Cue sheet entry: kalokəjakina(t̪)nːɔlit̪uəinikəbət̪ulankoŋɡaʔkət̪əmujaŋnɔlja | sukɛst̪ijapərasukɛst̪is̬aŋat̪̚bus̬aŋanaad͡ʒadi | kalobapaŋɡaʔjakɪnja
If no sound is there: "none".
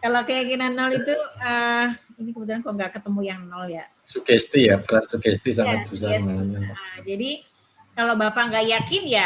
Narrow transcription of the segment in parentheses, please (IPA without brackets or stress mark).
none